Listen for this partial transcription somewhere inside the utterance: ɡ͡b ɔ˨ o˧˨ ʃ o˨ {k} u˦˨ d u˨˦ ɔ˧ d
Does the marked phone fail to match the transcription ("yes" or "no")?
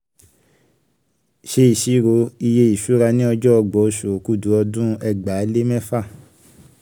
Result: no